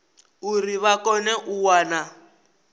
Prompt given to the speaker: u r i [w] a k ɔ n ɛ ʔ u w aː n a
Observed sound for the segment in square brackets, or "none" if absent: β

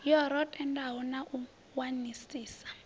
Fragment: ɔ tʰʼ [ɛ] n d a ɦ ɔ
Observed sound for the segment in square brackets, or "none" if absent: ɛ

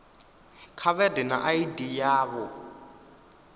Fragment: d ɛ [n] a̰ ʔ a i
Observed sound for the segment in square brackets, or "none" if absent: n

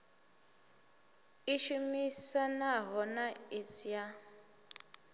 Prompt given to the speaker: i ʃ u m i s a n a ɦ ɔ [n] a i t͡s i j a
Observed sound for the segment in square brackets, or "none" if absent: n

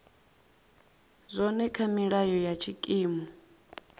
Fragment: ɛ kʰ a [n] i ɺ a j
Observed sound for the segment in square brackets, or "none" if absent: m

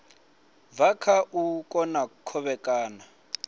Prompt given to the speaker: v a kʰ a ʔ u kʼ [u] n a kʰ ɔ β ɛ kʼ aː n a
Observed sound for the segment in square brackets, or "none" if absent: ɔ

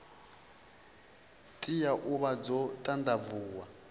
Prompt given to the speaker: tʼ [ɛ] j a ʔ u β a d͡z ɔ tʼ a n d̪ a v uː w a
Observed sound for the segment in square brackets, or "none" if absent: i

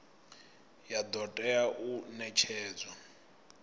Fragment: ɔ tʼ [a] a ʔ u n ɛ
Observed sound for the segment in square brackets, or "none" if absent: ɛ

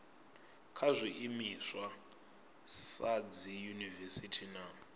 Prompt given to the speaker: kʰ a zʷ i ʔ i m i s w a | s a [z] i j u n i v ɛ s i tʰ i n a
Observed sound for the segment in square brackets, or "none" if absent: d͡z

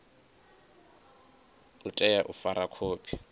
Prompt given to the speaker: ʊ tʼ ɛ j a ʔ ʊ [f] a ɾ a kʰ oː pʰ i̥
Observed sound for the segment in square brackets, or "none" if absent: f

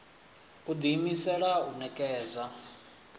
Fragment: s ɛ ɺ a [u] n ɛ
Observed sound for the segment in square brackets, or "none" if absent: u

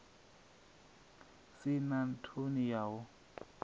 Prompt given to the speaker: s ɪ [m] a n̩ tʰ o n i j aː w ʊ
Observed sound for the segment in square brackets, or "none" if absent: n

